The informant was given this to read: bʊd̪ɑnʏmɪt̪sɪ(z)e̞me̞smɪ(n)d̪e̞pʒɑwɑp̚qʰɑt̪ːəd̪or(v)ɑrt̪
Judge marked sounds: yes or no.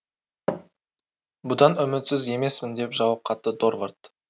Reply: yes, yes, yes

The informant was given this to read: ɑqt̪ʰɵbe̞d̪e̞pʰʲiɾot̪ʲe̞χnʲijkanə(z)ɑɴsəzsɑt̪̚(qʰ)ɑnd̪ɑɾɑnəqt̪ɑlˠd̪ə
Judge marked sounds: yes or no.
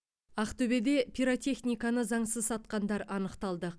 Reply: yes, no

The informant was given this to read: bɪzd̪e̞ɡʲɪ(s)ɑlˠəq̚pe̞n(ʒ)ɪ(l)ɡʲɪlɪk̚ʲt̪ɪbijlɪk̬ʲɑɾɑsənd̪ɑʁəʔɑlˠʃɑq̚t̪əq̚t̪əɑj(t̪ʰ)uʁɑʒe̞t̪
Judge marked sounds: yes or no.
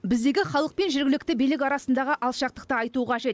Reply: no, yes, no, no

